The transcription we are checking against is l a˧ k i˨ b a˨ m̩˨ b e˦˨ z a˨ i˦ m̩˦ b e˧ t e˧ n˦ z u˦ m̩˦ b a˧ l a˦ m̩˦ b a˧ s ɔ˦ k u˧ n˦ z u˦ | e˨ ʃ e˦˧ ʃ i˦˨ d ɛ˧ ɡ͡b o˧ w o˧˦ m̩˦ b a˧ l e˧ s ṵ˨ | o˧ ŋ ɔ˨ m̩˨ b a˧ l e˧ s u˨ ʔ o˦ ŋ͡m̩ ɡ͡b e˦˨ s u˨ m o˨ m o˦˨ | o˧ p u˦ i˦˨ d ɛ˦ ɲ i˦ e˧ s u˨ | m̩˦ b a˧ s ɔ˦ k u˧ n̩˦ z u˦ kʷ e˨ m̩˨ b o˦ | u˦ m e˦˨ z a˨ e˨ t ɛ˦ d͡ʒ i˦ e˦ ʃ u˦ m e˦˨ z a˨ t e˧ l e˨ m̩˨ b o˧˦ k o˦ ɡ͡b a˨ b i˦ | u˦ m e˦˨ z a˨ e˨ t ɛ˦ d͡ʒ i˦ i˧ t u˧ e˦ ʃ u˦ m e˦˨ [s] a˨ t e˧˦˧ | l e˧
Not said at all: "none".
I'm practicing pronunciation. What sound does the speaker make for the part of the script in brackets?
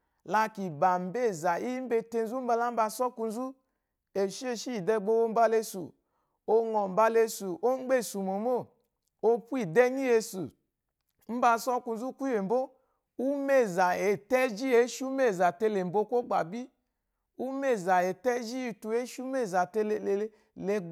z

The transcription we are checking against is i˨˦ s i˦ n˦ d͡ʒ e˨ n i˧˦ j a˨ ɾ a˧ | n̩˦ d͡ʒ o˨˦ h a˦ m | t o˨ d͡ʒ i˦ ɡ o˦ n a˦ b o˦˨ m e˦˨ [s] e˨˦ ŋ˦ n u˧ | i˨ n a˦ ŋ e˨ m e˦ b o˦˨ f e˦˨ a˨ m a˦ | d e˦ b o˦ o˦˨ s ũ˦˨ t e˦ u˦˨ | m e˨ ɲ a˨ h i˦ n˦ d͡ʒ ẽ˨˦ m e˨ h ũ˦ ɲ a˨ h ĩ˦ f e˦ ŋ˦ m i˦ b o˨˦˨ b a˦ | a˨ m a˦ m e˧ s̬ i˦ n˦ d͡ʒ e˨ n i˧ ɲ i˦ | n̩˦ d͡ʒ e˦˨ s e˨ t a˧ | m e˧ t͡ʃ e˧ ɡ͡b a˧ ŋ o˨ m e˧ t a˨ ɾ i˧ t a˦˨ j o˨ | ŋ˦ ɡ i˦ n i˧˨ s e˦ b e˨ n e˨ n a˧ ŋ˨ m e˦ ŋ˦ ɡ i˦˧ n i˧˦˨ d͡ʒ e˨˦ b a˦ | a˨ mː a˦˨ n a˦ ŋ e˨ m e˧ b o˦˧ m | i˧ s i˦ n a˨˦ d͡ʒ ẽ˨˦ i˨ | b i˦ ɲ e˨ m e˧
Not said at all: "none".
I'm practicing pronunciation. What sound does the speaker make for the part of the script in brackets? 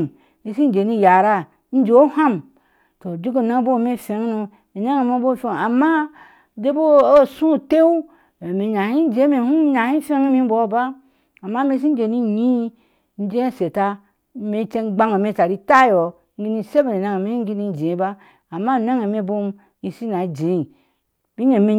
f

